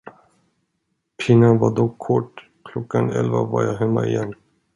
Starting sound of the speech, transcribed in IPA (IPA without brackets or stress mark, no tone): pʰ